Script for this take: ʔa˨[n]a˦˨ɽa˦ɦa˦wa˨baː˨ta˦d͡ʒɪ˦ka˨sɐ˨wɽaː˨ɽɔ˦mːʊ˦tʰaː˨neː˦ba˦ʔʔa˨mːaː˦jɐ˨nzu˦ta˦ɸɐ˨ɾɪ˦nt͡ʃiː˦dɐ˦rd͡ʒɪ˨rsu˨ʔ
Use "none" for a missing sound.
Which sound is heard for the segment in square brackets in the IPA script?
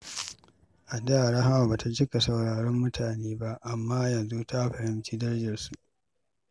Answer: d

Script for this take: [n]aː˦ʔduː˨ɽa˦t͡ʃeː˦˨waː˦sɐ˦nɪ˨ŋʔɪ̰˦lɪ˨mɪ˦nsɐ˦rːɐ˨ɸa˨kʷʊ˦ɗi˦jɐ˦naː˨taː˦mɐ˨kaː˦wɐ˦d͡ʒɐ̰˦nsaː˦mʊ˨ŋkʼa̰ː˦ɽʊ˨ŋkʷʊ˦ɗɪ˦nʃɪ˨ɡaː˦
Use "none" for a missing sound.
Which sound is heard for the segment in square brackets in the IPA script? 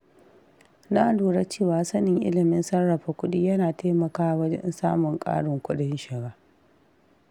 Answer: n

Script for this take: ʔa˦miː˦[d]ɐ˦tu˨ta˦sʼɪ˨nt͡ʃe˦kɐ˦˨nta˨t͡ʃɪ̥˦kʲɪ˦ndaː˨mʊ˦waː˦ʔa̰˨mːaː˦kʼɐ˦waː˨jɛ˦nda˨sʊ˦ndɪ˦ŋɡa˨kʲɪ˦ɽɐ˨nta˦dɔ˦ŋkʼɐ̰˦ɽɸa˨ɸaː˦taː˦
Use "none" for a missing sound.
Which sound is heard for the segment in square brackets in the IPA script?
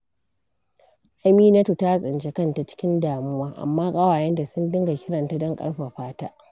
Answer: n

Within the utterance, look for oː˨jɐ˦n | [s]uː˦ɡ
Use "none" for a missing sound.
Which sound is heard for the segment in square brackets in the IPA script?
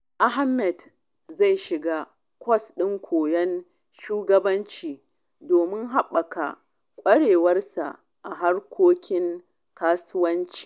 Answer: ʃ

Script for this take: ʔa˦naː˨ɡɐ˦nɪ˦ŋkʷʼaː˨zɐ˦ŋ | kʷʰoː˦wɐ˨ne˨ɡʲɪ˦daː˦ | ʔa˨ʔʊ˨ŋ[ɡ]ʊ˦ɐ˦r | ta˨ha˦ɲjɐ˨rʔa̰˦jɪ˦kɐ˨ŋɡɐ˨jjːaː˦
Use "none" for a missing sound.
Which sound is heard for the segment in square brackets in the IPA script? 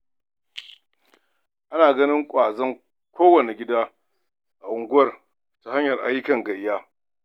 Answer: ɡ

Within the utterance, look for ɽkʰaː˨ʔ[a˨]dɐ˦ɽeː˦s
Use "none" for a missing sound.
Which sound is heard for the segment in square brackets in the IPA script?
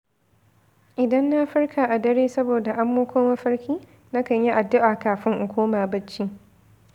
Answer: a˨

